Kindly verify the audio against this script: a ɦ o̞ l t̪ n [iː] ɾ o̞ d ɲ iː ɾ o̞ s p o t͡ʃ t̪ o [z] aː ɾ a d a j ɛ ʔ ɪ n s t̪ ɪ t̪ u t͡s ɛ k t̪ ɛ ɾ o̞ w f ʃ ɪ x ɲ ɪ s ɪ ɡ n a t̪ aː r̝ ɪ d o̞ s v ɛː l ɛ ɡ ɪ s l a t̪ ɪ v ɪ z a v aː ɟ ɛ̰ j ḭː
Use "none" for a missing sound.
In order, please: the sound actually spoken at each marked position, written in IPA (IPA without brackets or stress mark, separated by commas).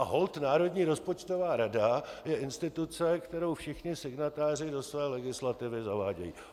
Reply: aː, v